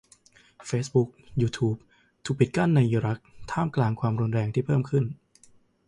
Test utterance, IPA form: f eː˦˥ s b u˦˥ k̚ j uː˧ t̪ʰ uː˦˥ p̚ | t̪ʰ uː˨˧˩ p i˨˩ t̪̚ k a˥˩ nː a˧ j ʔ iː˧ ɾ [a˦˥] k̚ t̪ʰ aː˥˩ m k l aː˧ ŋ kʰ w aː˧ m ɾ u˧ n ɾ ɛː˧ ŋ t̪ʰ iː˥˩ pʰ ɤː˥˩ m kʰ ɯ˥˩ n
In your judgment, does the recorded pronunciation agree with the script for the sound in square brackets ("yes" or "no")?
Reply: yes